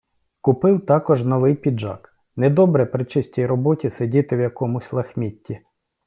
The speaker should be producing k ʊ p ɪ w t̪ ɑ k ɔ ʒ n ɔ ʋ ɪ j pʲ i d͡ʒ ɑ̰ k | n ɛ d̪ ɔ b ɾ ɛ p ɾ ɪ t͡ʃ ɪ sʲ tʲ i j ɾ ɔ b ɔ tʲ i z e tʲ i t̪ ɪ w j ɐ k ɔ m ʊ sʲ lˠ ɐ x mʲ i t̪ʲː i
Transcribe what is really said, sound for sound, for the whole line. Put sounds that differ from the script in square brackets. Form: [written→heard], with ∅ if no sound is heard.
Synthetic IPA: k ʊ p ɪ w t̪ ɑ k ɔ ʒ n ɔ ʋ ɪ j pʲ i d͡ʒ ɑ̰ k | n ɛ d̪ ɔ b ɾ ɛ p ɾ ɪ t͡ʃ ɪ sʲ tʲ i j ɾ ɔ b ɔ tʲ i [z→s] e [tʲ→dʲ] i t̪ ɪ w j ɐ k ɔ m ʊ sʲ lˠ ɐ x mʲ i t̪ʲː i